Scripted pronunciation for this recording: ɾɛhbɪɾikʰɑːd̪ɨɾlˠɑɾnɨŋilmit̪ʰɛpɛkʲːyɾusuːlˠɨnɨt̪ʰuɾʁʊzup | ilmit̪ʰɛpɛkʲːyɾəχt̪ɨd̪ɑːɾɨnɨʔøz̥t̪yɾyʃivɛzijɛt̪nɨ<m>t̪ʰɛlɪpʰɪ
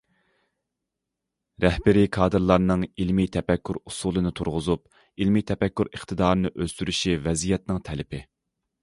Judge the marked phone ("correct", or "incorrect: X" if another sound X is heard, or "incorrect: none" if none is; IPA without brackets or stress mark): incorrect: ŋ